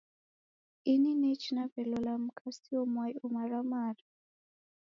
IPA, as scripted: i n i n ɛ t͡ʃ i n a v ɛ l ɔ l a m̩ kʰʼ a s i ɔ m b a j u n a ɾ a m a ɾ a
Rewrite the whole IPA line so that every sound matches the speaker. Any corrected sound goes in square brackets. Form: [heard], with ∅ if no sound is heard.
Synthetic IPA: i n i n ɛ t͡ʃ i n a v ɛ l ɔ l a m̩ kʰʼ a s i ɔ m [w] a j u [m] a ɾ a m a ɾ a